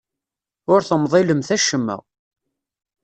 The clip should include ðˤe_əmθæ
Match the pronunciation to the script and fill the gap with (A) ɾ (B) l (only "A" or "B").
B